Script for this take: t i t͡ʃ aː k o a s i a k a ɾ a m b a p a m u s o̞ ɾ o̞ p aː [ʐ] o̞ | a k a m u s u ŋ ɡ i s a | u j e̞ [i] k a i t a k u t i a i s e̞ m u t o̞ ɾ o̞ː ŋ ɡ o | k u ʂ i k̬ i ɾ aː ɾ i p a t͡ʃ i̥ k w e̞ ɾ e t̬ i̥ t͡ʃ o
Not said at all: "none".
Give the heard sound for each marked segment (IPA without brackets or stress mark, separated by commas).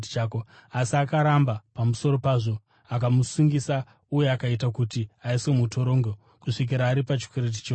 ʐ, a